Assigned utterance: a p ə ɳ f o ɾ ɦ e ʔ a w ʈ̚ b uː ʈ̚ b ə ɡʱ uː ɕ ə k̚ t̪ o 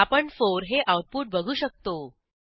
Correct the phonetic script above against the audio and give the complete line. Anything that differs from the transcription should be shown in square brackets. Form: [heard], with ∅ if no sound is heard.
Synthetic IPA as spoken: a p ə ɳ f o ɾ ɦ e ʔ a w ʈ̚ [p] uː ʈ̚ b ə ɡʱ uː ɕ ə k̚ t̪ o

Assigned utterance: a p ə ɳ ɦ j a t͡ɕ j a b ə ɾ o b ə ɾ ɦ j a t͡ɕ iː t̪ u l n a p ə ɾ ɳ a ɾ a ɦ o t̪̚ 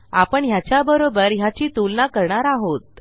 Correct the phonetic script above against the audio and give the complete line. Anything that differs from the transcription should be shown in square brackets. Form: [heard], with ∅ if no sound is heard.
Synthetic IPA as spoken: a p ə ɳ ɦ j a t͡ɕ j a b ə ɾ o b ə ɾ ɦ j a t͡ɕ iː t̪ u l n a [k] ə ɾ ɳ a ɾ a ɦ o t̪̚

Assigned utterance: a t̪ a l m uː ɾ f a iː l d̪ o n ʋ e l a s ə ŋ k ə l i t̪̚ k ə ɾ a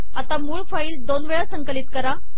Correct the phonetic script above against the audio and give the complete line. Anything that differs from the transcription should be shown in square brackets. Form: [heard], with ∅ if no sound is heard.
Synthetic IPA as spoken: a t̪ a [∅] m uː [ɭ] f a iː l d̪ o n ʋ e [ɭ] a s ə ŋ k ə l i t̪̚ k ə ɾ a

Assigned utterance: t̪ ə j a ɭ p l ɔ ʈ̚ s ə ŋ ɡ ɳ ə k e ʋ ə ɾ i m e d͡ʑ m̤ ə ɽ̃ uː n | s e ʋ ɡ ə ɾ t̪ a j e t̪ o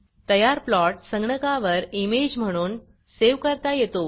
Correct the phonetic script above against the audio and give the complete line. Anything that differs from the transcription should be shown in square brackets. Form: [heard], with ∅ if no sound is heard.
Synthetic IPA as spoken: t̪ ə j a [ɾ] p l ɔ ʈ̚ s ə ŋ ɡ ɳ ə k [a] ʋ ə ɾ i m e d͡ʑ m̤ ə ɽ̃ uː n | s e ʋ [k] ə ɾ t̪ a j e t̪ o

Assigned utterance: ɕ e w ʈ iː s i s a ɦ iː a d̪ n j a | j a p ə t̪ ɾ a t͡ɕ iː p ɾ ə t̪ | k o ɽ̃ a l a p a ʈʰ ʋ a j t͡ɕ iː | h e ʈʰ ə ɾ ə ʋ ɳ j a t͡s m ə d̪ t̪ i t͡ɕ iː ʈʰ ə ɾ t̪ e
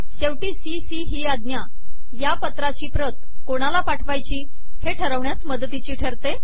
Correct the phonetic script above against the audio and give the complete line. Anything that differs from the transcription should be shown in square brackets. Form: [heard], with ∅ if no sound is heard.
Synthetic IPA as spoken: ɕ e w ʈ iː s i s [i] ɦ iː a d̪ n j a | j a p ə t̪ ɾ a t͡ɕ iː p ɾ ə t̪ | k o ɽ̃ a l a p a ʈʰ ʋ a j t͡ɕ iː | h e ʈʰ ə ɾ ə ʋ ɳ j a t͡s m ə d̪ t̪ i t͡ɕ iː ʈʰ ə ɾ t̪ e

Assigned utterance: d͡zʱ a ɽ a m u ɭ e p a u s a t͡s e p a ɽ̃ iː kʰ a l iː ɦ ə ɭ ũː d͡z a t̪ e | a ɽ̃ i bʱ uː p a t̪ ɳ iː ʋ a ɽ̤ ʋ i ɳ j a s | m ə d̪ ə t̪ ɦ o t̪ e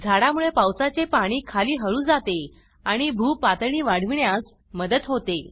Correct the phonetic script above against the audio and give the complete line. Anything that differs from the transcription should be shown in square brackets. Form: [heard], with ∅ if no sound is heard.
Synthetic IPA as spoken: d͡zʱ a ɽ a m u ɭ e p a [w] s a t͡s e p a ɽ̃ iː kʰ a l iː ɦ ə ɭ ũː d͡z a t̪ e | a ɽ̃ i bʱ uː p a t̪ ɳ iː ʋ a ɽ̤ ʋ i ɳ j a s | m ə d̪ ə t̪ ɦ o t̪ e

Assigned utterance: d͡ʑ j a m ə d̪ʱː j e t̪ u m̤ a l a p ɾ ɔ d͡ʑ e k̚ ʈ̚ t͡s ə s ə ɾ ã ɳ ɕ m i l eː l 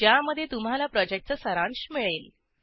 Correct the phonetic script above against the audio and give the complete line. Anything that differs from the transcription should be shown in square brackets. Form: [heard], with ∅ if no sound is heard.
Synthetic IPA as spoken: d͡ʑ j a m ə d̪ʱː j e t̪ u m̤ a l a p ɾ ɔ d͡ʑ e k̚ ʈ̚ t͡s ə s ə ɾ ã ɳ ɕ m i [ɭ] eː l

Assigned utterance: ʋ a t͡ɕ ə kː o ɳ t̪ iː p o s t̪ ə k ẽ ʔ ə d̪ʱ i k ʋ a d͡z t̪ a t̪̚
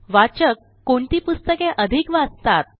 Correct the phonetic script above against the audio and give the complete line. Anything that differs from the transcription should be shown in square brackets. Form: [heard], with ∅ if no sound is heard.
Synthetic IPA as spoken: ʋ a t͡ɕ ə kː o ɳ t̪ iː p [u] s t̪ ə k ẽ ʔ ə d̪ʱ i k ʋ a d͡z t̪ a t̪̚

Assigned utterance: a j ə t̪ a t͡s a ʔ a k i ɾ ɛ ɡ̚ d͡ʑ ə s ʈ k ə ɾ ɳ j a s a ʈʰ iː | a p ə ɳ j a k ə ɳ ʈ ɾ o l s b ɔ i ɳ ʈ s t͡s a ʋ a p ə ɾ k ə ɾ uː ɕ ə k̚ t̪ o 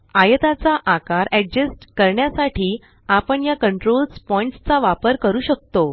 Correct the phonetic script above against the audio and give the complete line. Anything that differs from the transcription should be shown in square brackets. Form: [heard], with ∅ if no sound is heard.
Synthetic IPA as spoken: a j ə t̪ a t͡s a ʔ a k [a] ɾ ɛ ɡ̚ d͡ʑ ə s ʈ k ə ɾ ɳ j a s a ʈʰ iː | a p ə ɳ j a k ə ɳ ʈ ɾ o l s [p] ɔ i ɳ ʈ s t͡s a ʋ a p ə ɾ k ə ɾ uː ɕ ə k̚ t̪ o

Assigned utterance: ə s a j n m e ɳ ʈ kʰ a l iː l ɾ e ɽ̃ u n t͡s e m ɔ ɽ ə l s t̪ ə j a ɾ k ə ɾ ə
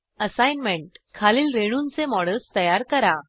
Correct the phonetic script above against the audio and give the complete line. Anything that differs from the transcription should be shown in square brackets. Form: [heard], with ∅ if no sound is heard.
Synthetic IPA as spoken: ə s a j n m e ɳ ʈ kʰ a l iː l ɾ e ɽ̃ u n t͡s e m ɔ ɽ ə l s t̪ ə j a ɾ k ə ɾ [a]

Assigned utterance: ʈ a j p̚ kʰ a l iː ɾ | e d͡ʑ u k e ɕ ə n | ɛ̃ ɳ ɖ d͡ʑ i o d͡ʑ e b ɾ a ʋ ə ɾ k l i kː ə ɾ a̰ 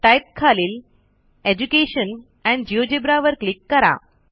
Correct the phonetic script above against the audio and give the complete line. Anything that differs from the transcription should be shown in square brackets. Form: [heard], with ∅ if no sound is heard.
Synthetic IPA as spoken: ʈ a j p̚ kʰ a l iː [l] | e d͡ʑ u k e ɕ ə n | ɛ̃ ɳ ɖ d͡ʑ i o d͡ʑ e b ɾ a ʋ ə ɾ k l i kː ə ɾ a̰

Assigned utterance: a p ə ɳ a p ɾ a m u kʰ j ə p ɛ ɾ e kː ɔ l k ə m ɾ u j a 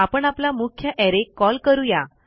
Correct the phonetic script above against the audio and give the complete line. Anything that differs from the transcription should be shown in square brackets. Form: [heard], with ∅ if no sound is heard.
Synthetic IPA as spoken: a p ə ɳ a p [l] a m u kʰ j ə [ʔ] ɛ ɾ e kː ɔ l k ə [∅] ɾ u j a

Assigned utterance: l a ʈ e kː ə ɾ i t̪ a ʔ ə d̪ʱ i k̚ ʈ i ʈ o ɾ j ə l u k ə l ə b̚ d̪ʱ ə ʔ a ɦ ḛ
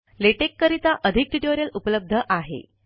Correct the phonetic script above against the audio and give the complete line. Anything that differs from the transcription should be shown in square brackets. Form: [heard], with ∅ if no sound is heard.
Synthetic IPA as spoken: l [e] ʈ e kː ə ɾ i t̪ a ʔ ə d̪ʱ i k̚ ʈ i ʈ o ɾ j ə l u [p] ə l ə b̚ d̪ʱ ə ʔ a ɦ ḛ

